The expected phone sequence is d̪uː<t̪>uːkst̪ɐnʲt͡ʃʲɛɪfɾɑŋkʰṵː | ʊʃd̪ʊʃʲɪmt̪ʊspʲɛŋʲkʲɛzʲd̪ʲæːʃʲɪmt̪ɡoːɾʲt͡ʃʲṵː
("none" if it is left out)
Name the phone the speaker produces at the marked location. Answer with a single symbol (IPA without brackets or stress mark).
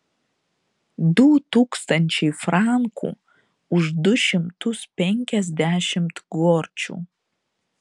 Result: t̪